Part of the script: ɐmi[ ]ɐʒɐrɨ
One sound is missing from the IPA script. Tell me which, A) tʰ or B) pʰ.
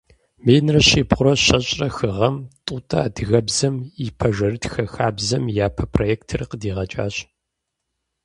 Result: B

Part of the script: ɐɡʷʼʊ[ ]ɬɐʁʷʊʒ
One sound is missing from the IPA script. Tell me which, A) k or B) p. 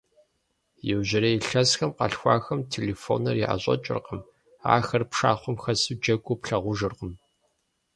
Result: B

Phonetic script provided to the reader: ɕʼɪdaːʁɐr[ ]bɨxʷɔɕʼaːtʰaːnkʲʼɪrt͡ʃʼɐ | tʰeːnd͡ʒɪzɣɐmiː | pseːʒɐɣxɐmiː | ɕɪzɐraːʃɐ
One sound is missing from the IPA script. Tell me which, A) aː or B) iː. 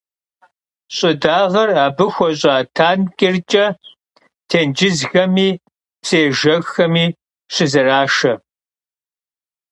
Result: A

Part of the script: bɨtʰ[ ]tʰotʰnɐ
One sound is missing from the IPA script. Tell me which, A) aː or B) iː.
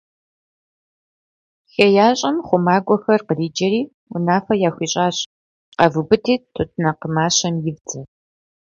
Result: B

